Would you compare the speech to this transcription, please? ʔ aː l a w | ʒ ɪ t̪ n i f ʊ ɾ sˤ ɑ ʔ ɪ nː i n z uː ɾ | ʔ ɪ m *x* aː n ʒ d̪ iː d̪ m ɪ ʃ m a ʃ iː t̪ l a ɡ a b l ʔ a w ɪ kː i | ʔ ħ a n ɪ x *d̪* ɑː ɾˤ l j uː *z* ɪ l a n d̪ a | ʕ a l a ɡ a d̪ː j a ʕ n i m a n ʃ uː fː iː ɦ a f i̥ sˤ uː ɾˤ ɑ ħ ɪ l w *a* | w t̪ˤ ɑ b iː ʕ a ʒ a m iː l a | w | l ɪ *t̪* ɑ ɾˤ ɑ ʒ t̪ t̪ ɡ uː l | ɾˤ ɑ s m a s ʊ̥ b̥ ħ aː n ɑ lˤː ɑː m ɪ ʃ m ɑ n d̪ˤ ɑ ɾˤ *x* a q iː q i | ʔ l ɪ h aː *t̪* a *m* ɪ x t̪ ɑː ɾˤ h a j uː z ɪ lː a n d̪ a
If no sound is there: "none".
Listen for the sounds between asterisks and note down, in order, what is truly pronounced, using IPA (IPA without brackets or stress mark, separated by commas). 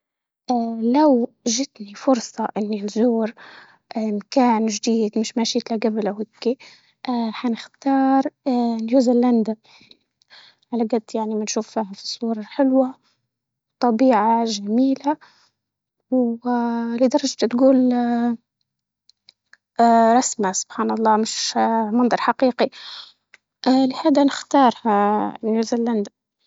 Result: k, t̪, z, a, d̪, ħ, d̪, n